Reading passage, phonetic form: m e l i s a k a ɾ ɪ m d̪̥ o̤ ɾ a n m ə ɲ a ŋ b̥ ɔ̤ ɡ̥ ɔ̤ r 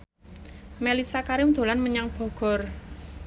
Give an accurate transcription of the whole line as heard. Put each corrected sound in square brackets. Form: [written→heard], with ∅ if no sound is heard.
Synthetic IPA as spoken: m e l i s a k a ɾ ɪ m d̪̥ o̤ [ɾ→l] a n m ə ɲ a ŋ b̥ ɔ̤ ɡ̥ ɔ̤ r